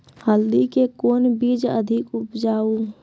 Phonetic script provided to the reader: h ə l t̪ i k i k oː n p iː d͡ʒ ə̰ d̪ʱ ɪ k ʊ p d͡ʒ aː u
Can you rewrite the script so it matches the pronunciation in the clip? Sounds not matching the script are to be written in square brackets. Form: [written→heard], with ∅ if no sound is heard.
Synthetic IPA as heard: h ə l [t̪→d̪] i k [i→e] k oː n [p→b] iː d͡ʒ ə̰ d̪ʱ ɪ k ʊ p d͡ʒ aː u